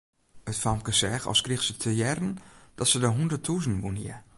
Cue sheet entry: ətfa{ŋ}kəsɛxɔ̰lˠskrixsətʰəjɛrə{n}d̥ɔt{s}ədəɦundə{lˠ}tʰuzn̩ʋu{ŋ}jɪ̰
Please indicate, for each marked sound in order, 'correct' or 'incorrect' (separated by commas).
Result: incorrect, correct, correct, incorrect, incorrect